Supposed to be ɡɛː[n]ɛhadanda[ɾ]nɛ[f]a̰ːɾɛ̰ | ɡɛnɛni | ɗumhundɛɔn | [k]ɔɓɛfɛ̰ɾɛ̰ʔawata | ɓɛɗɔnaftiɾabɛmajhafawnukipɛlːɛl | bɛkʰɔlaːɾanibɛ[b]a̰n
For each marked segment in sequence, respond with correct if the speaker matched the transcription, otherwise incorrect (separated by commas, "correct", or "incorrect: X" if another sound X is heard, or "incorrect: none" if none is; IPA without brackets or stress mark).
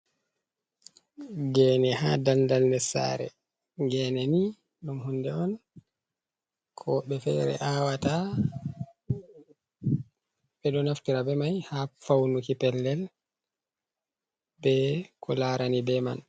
correct, incorrect: l, incorrect: s, incorrect: kʰ, incorrect: m